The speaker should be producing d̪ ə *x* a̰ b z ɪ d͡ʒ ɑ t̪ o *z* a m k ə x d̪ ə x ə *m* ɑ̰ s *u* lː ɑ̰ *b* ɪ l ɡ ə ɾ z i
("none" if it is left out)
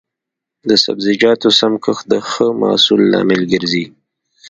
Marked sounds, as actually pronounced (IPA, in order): s, s, m, u, m

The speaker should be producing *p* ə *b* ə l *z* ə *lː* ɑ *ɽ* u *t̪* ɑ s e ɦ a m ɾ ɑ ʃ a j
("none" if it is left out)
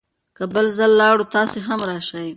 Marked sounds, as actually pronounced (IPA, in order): k, b, z, lː, ɽ, t̪

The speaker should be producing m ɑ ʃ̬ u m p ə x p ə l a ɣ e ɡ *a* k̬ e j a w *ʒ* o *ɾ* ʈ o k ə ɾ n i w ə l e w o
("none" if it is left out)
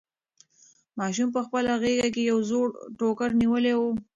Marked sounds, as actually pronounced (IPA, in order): a, z, ɽ

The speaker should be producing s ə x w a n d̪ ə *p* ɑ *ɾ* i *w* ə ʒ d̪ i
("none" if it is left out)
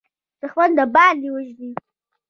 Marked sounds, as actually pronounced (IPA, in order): b, l, w

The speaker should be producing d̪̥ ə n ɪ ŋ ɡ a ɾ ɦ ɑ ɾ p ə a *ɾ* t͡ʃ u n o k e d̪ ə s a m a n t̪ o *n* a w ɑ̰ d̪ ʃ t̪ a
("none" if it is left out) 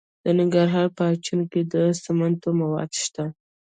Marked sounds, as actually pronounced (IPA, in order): none, m

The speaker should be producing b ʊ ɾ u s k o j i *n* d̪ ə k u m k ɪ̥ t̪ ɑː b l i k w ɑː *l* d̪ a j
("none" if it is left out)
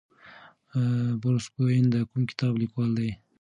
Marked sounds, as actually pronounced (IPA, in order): n, l

